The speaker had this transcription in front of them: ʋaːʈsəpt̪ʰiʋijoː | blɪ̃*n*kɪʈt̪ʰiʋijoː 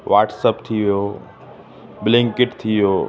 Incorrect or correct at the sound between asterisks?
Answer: incorrect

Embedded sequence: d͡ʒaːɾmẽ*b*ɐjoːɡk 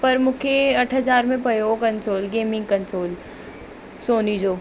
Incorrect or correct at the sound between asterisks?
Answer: incorrect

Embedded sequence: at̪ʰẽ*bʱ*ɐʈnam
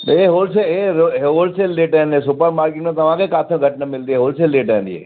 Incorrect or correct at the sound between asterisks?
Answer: incorrect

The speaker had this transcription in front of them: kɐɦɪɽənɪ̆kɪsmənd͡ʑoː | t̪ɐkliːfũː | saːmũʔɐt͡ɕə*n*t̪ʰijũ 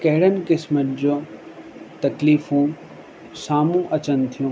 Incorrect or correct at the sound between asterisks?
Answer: correct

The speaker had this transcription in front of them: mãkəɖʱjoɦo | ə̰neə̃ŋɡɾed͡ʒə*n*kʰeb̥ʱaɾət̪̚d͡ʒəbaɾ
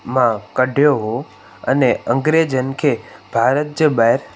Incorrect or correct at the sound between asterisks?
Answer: correct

